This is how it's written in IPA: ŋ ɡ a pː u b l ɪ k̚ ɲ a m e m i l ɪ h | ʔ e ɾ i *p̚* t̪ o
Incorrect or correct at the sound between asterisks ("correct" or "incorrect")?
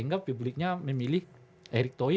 incorrect